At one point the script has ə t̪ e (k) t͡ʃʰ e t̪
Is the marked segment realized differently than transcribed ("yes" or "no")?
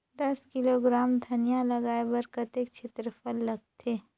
no